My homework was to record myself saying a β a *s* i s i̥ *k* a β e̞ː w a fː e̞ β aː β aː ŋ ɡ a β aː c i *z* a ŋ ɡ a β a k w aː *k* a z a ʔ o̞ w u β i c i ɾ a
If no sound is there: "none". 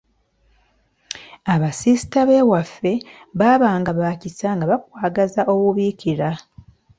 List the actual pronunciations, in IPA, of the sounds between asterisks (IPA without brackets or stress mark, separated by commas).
s, t, s, ɡ